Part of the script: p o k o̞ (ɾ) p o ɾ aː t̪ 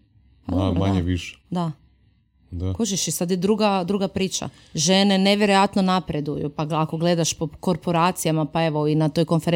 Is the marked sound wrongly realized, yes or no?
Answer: no